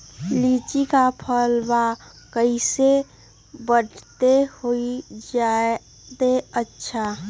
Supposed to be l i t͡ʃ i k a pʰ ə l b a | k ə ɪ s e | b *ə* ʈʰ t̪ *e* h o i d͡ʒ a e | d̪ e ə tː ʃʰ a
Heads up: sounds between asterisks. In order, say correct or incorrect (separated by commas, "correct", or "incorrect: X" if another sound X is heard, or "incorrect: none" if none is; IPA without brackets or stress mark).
correct, correct